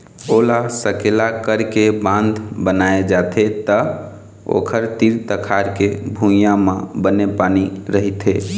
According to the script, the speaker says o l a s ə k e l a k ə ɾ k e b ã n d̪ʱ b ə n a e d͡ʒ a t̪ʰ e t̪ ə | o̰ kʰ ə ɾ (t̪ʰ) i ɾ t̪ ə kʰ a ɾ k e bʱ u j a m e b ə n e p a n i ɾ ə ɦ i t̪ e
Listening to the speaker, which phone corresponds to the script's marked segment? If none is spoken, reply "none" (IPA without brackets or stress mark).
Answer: t̪